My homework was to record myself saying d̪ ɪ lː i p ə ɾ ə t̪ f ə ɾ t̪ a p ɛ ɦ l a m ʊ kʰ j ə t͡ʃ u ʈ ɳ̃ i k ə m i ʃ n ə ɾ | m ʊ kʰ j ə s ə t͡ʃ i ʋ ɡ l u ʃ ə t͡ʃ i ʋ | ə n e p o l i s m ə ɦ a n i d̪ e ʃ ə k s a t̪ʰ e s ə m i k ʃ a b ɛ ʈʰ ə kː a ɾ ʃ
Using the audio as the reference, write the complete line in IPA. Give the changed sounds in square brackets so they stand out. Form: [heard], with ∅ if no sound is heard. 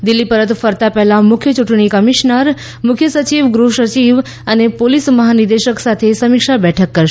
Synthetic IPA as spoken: d̪ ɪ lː i p ə ɾ ə t̪ f ə ɾ t̪ a p ɛ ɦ l a m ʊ kʰ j ə t͡ʃ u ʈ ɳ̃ i k ə m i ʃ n ə ɾ | m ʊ kʰ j ə s ə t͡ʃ i ʋ ɡ [ɾ] u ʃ ə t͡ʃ i ʋ | ə n e p o l i s m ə ɦ a n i d̪ e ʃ ə k s a t̪ʰ e s ə m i k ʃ a b ɛ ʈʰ ə kː [ə] ɾ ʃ